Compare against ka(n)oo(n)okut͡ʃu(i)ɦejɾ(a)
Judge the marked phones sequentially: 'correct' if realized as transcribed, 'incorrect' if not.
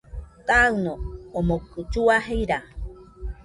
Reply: correct, incorrect: m, incorrect: a, correct

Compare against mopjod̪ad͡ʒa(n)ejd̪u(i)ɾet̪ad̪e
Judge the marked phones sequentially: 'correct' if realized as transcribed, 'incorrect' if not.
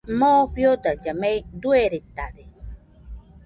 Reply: incorrect: m, incorrect: e

